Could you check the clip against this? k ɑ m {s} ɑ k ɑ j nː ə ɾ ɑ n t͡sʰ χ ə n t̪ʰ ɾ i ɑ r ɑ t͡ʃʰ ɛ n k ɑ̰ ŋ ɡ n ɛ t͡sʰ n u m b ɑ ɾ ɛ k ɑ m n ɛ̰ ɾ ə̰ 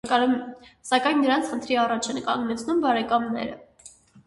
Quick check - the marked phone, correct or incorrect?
correct